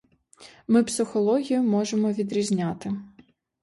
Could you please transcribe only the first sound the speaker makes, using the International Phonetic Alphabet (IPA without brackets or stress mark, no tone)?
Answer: m